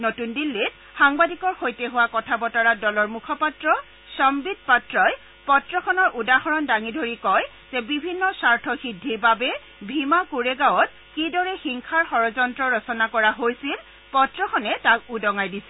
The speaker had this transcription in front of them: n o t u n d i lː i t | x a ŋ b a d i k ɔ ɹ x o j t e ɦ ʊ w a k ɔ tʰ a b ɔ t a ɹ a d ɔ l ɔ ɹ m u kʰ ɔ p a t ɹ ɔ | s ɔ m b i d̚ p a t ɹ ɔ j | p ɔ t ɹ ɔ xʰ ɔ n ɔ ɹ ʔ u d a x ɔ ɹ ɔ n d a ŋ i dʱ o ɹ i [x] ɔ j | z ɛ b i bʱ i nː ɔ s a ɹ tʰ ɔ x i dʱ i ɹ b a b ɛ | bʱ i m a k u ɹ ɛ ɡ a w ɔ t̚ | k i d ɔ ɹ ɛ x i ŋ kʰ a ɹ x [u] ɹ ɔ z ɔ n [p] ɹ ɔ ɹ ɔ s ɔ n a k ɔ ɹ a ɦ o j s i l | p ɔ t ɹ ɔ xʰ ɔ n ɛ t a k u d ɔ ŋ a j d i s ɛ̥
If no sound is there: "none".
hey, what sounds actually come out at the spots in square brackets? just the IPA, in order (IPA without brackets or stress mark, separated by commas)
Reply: k, ɔ, t